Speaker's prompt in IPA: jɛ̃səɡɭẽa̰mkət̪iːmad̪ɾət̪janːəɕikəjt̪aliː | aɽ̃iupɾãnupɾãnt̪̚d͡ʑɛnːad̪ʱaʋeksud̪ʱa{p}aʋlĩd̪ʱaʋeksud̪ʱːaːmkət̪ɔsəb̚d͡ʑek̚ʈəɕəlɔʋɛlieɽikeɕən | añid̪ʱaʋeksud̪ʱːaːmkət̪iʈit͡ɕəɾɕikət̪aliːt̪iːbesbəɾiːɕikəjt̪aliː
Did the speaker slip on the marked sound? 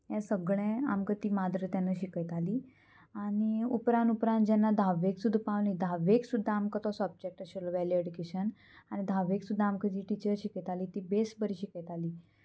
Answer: no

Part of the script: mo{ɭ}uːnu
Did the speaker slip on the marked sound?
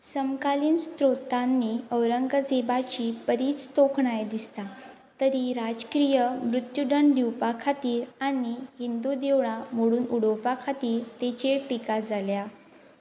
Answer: yes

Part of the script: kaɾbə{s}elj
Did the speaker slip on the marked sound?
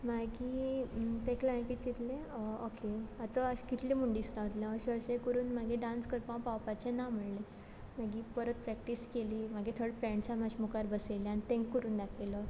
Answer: no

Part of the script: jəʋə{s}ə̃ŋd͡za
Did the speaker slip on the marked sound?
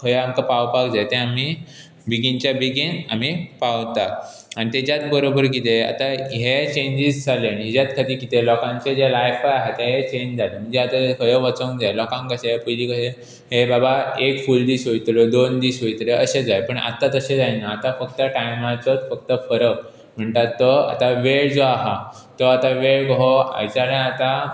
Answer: yes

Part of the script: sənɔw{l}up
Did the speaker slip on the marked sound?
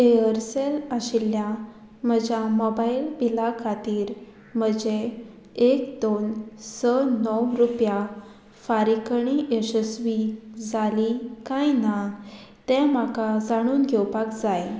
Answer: yes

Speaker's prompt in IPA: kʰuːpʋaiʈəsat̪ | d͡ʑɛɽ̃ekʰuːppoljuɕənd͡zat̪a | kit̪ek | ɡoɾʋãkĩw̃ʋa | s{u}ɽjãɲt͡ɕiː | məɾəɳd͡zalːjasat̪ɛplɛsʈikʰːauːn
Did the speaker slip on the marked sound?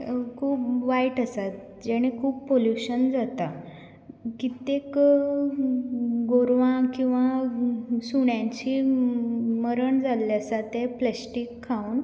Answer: no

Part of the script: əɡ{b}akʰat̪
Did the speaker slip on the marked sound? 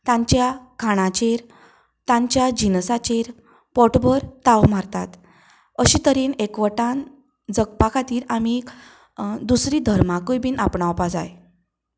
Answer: yes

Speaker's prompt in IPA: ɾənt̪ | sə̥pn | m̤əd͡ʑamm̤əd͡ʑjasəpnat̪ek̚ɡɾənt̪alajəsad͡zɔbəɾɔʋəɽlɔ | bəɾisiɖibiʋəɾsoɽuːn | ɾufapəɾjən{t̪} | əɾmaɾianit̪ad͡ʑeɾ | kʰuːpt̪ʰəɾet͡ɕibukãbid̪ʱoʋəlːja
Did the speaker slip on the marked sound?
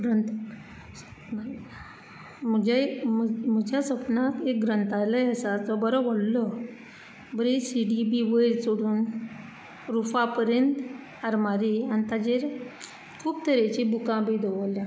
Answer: no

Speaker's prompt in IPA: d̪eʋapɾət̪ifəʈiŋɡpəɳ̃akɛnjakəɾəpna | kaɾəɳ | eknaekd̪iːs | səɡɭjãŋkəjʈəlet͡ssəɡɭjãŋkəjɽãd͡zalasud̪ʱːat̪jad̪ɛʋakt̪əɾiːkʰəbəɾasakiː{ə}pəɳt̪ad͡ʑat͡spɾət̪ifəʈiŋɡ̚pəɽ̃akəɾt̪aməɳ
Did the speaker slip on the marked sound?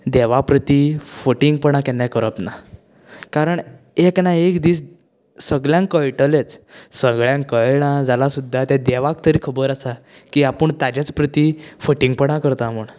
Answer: yes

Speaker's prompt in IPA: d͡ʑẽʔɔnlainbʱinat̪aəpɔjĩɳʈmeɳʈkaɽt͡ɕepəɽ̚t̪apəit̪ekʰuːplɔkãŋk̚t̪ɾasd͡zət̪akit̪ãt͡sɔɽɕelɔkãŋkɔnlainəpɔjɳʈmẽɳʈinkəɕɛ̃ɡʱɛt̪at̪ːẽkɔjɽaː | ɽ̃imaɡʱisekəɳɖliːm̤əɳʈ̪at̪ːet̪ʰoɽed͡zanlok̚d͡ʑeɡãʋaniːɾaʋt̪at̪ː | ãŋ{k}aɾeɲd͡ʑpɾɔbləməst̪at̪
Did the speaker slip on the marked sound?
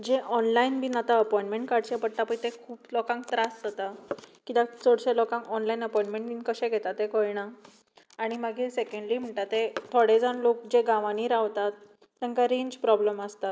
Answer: no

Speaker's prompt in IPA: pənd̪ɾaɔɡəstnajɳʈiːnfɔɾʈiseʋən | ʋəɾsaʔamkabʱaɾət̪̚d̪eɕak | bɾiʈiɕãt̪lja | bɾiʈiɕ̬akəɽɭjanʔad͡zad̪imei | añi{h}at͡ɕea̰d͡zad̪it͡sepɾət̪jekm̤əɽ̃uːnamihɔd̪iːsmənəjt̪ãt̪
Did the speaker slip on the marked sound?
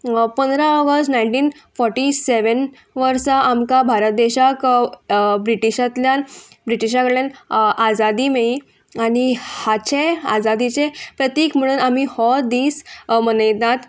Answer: no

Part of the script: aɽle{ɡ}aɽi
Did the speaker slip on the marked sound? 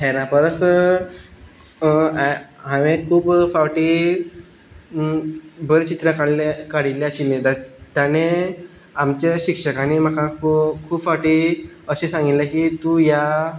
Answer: yes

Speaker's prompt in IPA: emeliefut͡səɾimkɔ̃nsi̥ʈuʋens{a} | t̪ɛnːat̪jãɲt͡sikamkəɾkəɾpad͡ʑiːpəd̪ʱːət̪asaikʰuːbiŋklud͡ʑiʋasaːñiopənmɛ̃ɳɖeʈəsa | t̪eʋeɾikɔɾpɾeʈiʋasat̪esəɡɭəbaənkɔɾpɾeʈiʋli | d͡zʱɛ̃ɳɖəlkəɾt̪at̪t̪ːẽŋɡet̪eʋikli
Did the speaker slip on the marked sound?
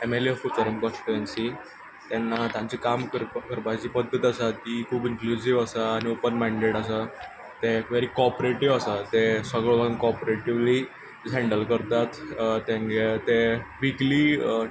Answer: yes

